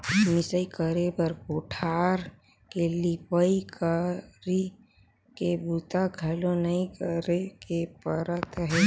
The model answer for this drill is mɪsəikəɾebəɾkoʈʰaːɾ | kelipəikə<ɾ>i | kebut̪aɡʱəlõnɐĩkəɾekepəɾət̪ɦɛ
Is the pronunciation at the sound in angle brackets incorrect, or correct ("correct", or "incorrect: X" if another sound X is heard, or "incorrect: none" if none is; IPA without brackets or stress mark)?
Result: correct